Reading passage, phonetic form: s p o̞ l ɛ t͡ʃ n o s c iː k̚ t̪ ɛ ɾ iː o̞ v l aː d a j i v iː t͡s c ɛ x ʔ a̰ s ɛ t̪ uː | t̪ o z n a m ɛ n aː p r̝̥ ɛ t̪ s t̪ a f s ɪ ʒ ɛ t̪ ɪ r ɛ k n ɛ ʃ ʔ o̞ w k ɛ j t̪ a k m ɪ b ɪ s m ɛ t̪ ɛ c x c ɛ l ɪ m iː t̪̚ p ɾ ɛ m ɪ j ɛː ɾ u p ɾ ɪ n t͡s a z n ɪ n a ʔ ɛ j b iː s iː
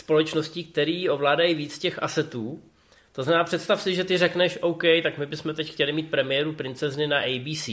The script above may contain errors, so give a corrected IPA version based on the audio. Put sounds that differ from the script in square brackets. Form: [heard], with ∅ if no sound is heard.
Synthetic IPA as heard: s p o̞ l ɛ t͡ʃ n o s c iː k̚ t̪ ɛ ɾ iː o̞ v l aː d a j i v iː t͡s c ɛ x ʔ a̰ s ɛ t̪ uː | t̪ o z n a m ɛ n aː p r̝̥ ɛ t̪ s t̪ a f s ɪ ʒ ɛ t̪ ɪ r ɛ k n ɛ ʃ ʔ o̞ w k ɛ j t̪ a k m ɪ b ɪ s m ɛ t̪ ɛ c x c ɛ l ɪ m iː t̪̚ p ɾ ɛ m ɪ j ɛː ɾ u p ɾ ɪ n t͡s [ɛ] z n ɪ n a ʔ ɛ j b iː s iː